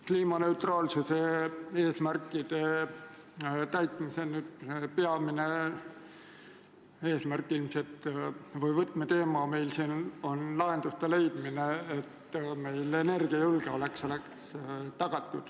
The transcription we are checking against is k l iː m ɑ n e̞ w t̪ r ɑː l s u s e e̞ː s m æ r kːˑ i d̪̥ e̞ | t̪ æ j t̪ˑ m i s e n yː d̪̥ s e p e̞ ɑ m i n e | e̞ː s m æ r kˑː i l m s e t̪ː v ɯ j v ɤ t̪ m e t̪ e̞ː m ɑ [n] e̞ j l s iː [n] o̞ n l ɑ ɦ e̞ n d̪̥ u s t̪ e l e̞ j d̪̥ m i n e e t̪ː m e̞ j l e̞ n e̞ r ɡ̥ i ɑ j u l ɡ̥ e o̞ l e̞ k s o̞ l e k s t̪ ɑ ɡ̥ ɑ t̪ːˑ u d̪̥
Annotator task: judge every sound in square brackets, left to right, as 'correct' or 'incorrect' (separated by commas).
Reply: incorrect, correct